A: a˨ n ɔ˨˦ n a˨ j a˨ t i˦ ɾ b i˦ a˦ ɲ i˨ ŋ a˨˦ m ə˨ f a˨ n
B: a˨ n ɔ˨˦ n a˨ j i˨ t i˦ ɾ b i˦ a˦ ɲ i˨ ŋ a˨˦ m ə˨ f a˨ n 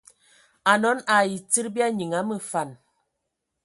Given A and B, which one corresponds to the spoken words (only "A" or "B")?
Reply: B